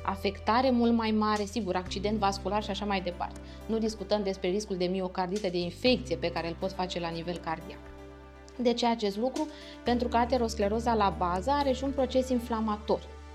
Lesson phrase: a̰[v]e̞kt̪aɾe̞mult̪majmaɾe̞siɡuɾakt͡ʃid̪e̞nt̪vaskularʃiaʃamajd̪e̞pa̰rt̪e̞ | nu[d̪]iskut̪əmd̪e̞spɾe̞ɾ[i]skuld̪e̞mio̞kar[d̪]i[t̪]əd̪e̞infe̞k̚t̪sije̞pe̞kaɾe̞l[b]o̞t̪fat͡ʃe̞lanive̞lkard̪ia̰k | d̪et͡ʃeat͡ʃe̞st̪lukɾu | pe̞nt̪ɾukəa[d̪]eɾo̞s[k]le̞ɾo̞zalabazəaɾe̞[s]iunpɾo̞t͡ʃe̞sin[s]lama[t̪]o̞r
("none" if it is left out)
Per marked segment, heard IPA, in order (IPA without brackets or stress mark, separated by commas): f, d̪, i, d̪, t̪, p, t̪, k, ʃ, f, t̪